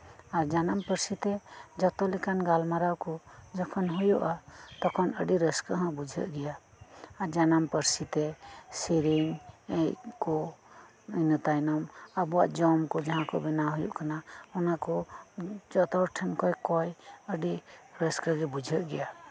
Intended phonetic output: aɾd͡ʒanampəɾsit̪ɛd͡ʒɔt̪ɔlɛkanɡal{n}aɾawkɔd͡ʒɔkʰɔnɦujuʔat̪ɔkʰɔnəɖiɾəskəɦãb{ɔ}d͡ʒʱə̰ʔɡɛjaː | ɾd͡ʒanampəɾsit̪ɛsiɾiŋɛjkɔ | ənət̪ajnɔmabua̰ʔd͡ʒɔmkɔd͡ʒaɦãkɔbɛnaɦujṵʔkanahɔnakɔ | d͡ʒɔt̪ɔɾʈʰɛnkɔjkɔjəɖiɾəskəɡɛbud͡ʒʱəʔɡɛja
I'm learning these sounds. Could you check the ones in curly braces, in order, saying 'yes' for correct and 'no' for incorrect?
no, no

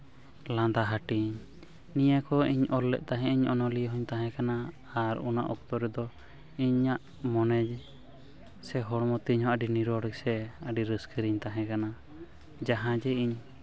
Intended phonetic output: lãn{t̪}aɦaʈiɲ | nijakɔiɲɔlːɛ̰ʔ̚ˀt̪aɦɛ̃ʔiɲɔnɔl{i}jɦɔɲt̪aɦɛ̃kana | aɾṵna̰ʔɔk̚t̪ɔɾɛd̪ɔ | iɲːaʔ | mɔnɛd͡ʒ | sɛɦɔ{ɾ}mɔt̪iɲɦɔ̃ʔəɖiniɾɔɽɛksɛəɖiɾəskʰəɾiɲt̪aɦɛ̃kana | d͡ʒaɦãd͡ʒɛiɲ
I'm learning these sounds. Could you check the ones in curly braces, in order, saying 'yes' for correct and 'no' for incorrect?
no, yes, no

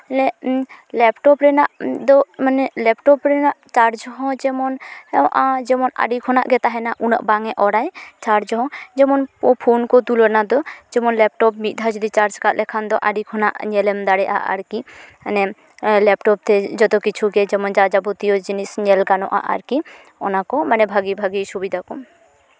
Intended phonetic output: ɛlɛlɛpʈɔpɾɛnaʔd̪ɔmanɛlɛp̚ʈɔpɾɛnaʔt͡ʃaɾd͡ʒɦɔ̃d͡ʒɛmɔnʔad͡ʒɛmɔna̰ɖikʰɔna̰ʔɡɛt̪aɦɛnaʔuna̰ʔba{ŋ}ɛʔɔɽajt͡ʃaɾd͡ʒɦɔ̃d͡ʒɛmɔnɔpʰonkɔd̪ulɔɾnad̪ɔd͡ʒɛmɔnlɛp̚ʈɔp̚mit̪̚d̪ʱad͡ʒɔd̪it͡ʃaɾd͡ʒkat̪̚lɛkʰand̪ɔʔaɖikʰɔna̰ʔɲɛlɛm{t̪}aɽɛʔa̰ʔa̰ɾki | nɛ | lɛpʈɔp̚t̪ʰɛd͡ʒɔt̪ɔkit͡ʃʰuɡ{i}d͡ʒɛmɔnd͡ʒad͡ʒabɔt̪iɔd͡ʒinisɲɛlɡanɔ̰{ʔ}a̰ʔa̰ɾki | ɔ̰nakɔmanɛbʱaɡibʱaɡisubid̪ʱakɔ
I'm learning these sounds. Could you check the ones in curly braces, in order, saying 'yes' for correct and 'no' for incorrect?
yes, no, no, yes

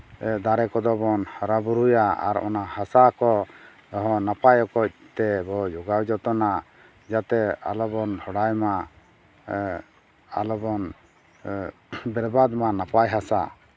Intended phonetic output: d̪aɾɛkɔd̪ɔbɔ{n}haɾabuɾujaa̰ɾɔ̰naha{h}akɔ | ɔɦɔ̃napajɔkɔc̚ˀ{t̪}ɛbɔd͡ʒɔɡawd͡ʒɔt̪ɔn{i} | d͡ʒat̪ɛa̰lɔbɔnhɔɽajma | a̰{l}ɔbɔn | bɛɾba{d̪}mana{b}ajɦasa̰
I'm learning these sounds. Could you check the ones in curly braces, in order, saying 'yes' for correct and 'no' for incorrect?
yes, no, yes, no, yes, yes, no

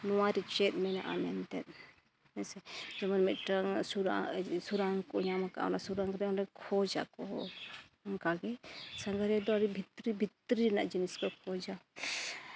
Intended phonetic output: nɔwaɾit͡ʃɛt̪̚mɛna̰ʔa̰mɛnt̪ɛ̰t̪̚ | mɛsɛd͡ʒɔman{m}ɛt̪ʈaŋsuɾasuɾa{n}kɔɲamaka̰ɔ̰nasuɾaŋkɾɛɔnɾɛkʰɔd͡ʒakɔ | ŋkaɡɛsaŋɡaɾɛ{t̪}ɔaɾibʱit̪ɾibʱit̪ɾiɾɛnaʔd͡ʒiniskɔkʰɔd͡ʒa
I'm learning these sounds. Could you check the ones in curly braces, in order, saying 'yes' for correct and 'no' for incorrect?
yes, no, no

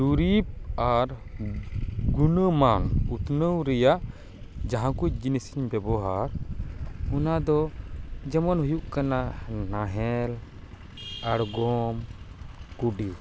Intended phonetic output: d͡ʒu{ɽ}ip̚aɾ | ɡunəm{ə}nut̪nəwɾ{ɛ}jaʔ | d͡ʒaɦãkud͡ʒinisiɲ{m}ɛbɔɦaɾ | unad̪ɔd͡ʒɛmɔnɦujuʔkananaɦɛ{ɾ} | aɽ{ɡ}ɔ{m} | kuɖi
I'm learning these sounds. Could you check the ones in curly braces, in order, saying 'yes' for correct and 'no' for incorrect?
no, no, yes, no, no, yes, yes

